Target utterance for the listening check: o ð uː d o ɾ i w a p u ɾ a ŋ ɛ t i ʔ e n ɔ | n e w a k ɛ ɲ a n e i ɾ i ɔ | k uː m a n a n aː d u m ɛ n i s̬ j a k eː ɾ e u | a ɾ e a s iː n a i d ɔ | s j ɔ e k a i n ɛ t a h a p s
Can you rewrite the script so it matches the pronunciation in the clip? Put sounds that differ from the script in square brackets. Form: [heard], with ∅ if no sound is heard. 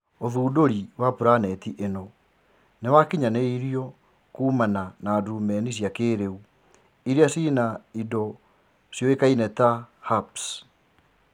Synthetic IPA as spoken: o ð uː d o ɾ i w a p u ɾ a [n] ɛ t i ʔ e n ɔ | n e w a k [i] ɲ a n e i ɾ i ɔ | k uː m a n a n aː d u m ɛ n i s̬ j a k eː ɾ e u | [i] ɾ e a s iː n a i d ɔ | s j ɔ e k a i n ɛ t a h a p s